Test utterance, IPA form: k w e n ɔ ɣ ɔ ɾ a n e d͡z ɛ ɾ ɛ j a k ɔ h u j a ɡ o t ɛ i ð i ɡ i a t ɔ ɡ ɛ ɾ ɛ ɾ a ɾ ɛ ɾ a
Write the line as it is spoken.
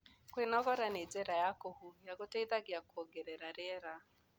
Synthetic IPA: k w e n ɔ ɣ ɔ ɾ a n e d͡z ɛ ɾ a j a k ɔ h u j a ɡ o t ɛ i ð a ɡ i a k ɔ ɡ ɛ ɾ ɛ ɾ a ɾ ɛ ɾ a